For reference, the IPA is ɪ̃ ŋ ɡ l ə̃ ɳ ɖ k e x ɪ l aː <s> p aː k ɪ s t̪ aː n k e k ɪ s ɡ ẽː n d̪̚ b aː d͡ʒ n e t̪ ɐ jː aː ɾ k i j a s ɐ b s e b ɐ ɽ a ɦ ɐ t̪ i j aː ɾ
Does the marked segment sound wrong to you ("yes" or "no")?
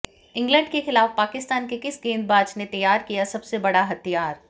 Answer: yes